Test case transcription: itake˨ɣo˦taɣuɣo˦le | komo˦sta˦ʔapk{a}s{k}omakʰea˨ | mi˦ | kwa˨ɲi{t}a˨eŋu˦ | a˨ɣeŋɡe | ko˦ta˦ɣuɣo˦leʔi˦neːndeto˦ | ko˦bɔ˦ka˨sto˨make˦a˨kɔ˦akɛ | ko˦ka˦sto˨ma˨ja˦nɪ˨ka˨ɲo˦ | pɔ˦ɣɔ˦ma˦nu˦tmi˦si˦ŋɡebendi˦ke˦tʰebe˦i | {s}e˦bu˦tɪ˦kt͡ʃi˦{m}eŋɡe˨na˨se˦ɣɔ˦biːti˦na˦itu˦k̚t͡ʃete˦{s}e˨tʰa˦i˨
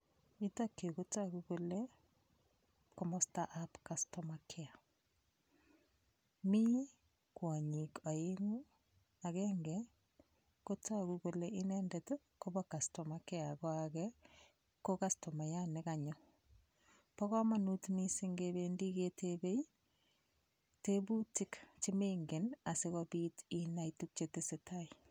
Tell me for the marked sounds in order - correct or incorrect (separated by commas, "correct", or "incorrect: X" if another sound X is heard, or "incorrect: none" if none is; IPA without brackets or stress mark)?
correct, incorrect: t, incorrect: k, incorrect: t, correct, correct